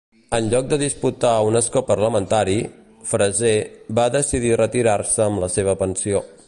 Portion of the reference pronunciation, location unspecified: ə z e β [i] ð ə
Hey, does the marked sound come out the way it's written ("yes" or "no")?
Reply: no